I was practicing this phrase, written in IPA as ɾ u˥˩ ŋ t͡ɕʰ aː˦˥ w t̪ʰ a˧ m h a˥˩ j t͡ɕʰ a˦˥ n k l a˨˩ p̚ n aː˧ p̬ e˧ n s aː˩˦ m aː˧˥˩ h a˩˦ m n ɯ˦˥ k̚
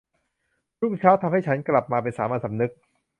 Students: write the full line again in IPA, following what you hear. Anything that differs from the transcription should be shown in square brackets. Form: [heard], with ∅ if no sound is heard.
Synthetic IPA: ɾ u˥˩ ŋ t͡ɕʰ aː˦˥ w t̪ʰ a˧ m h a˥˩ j t͡ɕʰ a˦˥ n k l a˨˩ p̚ [m] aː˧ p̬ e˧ n s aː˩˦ m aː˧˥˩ [s] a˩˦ m n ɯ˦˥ k̚